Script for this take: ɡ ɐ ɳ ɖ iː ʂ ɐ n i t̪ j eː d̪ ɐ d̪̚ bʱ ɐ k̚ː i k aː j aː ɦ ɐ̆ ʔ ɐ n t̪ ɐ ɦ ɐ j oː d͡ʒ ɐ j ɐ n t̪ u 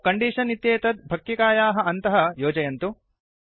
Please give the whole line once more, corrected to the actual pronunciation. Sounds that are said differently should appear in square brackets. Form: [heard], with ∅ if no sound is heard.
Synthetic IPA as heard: [k] ɐ ɳ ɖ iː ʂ ɐ n i t̪ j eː [t̪] ɐ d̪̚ bʱ ɐ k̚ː i k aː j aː ɦ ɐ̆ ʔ ɐ n t̪ ɐ ɦ ɐ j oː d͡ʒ ɐ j ɐ n t̪ u